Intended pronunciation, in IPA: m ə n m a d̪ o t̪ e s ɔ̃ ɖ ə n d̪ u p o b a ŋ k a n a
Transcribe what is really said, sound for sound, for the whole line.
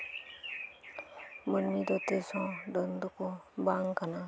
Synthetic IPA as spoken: m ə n m i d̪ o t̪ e s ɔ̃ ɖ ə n d̪ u k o b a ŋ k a n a

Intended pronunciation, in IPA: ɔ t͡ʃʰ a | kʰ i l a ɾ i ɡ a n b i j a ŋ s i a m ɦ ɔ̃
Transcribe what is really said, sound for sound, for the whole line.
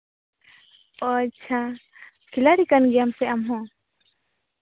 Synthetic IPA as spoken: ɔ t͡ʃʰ a | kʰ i l a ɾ i k a n ɡ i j a m s ɛ a m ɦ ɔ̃

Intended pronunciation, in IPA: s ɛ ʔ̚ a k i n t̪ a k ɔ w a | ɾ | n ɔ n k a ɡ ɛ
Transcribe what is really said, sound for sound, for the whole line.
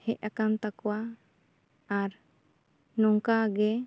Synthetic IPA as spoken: h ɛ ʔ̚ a k a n t̪ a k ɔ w a | ɾ | n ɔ ŋ k a ɡ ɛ

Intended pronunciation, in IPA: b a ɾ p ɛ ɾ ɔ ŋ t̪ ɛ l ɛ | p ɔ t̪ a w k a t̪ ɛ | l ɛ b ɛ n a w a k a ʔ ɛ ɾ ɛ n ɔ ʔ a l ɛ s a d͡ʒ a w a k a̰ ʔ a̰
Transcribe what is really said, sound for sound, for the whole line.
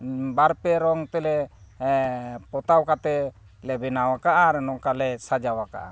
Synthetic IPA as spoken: b a ɾ p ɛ ɾ ɔ ŋ t̪ ɛ l ɛ | p ɔ t̪ a w k a t̪ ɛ | l ɛ b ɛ n a w a k a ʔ a ɾ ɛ n ɔ k a l ɛ s a d͡ʒ a w a k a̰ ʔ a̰

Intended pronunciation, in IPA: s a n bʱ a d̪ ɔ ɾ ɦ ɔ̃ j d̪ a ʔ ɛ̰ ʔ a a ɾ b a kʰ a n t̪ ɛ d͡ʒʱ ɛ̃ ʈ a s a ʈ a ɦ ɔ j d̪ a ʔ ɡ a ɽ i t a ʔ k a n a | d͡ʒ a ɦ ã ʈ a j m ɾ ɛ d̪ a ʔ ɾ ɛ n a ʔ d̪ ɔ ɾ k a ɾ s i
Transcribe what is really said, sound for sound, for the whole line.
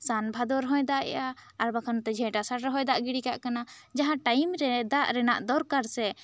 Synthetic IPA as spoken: s a n bʱ a d̪ ɔ ɾ ɦ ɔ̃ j d̪ a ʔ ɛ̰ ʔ a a ɾ b a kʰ a n t̪ ɛ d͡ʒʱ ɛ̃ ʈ a s a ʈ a ɦ ɔ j d̪ a ʔ ɡ i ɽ i k a ʔ k a n a | d͡ʒ a ɦ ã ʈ a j m ɾ ɛ d̪ a ʔ ɾ ɛ n a ʔ d̪ ɔ ɾ k a ɾ s ɛ

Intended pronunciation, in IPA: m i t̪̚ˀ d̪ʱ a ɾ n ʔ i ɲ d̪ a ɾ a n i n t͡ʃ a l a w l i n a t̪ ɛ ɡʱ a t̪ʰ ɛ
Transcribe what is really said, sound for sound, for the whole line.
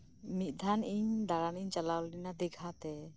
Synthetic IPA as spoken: m i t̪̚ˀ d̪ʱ a n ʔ i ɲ d̪ a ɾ a n i ɲ t͡ʃ a l a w l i n a d̪ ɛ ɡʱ a t̪ ɛ

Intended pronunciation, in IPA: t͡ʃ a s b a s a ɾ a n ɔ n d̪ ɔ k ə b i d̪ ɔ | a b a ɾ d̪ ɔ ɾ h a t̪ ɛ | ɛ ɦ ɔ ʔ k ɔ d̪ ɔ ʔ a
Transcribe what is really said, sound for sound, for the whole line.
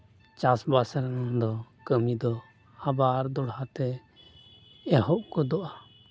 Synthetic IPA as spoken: t͡ʃ a s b a s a ɾ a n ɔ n d̪ ɔ k ə m i d̪ ɔ | a b a ɾ d̪ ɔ ɽ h a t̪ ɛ | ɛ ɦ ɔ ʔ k ɔ d̪ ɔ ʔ a

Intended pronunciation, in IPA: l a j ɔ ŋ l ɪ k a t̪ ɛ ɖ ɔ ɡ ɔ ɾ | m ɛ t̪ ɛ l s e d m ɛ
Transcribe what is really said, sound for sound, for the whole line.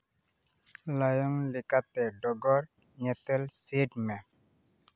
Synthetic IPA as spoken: l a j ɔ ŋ l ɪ k a t̪ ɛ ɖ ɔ ɡ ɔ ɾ | ɲ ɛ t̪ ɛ l s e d m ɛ

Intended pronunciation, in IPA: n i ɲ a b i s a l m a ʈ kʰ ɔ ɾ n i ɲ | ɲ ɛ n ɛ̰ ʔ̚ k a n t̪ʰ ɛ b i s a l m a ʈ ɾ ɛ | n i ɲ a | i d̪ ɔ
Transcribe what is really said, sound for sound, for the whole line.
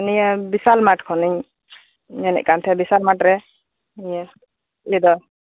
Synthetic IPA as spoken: n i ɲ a b i s a l m a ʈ kʰ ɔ n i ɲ | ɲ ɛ n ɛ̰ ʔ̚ k a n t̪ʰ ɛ b i s a l m a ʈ ɾ ɛ | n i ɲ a | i d̪ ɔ

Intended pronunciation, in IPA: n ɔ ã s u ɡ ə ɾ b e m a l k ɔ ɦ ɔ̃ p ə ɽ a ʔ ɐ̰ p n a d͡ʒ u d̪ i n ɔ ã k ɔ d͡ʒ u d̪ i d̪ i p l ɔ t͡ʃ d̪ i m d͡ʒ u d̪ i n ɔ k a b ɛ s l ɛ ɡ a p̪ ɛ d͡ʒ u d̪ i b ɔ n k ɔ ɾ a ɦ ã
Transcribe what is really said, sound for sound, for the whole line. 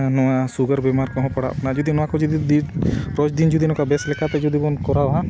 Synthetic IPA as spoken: n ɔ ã s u ɡ ə ɾ b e m a ɾ k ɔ ɦ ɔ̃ p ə ɽ a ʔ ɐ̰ p n a d͡ʒ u d̪ i n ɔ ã k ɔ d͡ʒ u d̪ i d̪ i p ɾ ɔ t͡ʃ d̪ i n d͡ʒ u d̪ i n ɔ k a b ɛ s l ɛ k a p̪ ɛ d͡ʒ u d̪ i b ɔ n k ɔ ɾ a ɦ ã

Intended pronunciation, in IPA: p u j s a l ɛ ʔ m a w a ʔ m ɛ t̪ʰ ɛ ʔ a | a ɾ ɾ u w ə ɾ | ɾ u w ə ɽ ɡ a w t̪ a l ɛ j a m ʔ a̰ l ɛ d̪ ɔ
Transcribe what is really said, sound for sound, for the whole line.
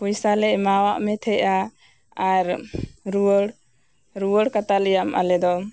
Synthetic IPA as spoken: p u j s a l ɛ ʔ m a w a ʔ m ɛ t̪ʰ ɛ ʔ a | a ɾ ɾ u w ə ɽ | ɾ u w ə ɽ k a t̪ a l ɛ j a m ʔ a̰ l ɛ d̪ ɔ

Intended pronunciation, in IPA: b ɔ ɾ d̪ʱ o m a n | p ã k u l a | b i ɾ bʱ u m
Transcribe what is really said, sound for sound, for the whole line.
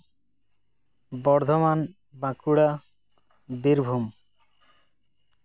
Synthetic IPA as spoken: b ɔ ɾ d̪ʱ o m a n | b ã k u ɽ a | b i ɾ bʱ u m

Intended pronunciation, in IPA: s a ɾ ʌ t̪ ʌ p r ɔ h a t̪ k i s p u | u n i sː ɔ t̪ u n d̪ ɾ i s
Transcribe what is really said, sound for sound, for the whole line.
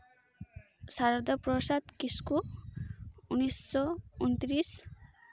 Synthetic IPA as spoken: s a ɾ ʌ d̪ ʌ p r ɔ s a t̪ k i s k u | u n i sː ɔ u n t̪ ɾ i s

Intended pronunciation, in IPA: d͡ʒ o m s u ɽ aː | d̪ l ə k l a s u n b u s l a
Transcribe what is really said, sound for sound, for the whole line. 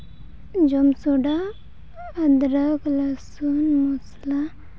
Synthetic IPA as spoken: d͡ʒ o m s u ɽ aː | d̪ ɾ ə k l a s u n m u s l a

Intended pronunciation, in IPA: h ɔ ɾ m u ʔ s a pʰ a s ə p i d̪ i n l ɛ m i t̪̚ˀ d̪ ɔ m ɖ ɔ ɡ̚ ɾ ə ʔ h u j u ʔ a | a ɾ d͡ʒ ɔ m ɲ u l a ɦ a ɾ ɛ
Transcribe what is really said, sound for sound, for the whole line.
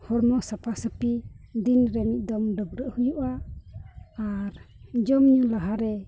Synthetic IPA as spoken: h ɔ ɾ m ɔ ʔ s a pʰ a s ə p i d̪ i n ɾ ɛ m i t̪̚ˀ d̪ ɔ m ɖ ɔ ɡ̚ ɾ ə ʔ h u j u ʔ a | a ɾ d͡ʒ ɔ m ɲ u l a ɦ a ɾ ɛ

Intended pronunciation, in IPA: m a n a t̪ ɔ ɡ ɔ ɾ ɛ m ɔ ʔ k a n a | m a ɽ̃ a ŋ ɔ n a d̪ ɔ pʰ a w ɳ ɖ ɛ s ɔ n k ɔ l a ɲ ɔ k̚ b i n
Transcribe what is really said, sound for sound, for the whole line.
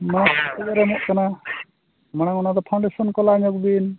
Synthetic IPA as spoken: m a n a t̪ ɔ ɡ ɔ ɾ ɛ m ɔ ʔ k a n a | m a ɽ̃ a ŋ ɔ n a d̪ ɔ pʰ a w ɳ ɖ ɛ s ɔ n k ɔ l a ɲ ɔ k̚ b i n

